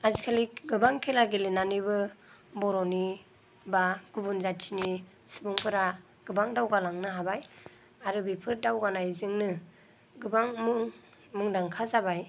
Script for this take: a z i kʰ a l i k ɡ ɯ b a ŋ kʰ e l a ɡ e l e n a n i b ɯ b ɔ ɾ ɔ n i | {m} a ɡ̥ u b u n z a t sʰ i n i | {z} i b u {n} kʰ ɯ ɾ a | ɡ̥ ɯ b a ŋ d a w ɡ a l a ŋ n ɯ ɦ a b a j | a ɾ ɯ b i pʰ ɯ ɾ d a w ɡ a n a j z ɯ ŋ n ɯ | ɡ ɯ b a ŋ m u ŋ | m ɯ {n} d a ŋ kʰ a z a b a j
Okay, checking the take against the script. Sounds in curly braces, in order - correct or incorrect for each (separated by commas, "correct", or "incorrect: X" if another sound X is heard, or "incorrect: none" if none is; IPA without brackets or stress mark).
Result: incorrect: b, incorrect: s, incorrect: ŋ, incorrect: ŋ